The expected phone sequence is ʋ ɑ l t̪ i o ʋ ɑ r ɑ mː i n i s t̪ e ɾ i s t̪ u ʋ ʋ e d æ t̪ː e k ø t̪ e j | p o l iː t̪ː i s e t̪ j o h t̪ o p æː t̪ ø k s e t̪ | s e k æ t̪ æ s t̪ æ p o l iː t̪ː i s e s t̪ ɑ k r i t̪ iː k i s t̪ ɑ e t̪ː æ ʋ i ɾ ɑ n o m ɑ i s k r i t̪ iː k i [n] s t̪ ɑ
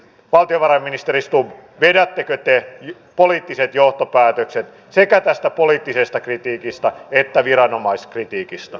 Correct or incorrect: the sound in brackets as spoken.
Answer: incorrect: none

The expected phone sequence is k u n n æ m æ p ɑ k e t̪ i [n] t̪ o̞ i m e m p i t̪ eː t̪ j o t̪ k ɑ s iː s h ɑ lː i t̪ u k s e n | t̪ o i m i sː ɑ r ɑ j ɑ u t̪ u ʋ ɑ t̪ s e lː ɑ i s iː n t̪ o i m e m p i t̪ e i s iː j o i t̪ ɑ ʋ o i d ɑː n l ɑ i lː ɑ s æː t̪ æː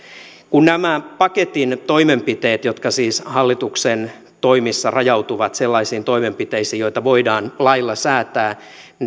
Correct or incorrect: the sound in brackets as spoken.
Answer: correct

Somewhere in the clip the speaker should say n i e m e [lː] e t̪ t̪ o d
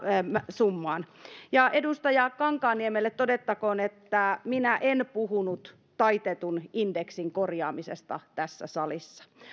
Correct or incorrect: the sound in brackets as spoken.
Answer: correct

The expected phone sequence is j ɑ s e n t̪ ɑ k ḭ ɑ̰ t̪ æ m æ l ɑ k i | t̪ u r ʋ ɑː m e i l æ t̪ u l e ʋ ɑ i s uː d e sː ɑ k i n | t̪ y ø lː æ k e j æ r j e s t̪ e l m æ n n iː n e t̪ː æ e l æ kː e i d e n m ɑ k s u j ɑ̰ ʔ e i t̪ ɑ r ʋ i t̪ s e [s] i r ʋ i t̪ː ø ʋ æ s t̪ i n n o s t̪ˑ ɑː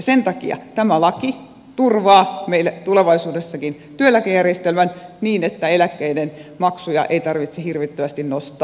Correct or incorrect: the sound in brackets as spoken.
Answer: incorrect: h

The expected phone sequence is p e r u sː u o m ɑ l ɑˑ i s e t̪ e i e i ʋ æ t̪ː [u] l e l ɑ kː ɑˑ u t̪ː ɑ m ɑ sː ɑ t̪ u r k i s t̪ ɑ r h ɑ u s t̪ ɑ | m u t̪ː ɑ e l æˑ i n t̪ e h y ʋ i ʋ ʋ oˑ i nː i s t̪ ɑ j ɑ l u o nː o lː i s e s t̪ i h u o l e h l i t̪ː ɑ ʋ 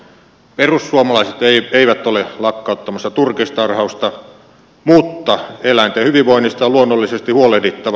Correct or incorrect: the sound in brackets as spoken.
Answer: incorrect: o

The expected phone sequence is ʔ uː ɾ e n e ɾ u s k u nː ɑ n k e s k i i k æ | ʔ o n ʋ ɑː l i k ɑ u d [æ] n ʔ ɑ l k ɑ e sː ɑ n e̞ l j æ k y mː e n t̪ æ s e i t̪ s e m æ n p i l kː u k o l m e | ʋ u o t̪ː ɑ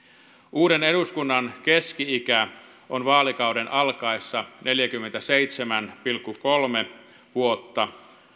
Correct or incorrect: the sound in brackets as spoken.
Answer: incorrect: e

